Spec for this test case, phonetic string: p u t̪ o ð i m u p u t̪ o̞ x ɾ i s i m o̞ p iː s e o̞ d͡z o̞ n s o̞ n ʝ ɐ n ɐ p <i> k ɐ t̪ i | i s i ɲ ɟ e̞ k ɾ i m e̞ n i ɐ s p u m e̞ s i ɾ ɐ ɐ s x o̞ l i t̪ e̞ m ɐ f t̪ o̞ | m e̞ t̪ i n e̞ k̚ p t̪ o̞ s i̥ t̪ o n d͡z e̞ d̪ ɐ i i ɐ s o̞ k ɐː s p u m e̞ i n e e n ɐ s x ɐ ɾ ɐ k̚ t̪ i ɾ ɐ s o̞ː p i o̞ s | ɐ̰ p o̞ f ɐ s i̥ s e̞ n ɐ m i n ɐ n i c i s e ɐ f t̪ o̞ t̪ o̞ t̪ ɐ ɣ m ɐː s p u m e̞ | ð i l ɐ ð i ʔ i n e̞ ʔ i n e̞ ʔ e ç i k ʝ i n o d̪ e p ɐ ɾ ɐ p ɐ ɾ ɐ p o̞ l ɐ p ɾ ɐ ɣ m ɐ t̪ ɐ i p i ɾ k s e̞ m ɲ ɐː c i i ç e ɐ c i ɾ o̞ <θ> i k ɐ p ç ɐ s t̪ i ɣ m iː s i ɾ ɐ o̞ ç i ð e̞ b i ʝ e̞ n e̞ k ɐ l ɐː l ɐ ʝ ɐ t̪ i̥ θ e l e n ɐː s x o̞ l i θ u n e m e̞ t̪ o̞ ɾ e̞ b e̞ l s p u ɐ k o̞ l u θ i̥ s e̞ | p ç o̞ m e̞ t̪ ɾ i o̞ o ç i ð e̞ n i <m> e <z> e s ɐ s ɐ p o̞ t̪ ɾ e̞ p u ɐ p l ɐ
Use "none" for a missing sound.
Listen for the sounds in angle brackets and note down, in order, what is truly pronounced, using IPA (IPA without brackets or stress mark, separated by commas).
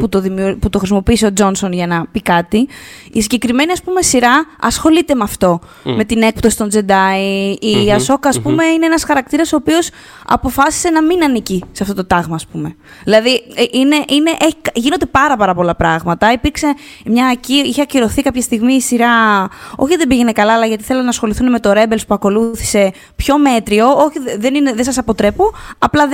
i, θ, n, ð